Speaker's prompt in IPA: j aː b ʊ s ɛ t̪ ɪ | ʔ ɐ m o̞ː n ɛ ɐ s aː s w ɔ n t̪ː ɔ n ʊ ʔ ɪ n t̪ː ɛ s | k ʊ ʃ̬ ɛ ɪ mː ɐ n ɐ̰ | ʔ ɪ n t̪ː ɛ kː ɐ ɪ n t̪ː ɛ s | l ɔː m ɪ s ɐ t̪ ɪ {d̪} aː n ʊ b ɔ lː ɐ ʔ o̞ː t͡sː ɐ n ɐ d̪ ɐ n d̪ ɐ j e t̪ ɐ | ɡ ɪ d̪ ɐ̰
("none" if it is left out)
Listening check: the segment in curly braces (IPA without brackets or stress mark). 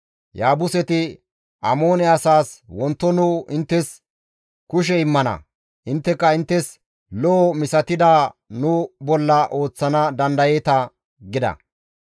d̪